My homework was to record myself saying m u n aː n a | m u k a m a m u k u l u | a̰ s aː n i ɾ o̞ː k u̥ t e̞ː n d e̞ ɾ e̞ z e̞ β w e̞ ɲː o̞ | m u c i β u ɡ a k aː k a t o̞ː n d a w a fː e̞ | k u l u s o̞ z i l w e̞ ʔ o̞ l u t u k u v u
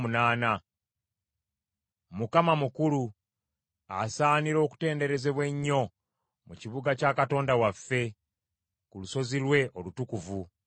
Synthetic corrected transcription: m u n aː n a | m u k a m a m u k u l u | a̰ s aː n i ɾ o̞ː k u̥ t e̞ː n d e̞ ɾ e̞ z e̞ β w e̞ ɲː o̞ | m u c i β u ɡ a c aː k a t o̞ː n d a w a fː e̞ | k u l u s o̞ z i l w e̞ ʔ o̞ l u t u k u v u